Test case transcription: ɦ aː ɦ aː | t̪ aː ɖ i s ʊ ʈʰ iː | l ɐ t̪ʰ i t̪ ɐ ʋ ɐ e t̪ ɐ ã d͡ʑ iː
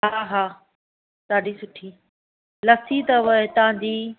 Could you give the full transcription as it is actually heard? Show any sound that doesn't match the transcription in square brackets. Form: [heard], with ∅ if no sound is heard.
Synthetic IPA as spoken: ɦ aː ɦ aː | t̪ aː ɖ i s ʊ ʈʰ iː | l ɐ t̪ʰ i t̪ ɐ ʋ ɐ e t̪ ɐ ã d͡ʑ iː